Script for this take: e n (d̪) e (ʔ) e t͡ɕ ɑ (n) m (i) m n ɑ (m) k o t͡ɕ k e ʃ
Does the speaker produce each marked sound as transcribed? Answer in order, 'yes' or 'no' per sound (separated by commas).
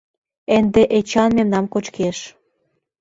yes, yes, yes, no, yes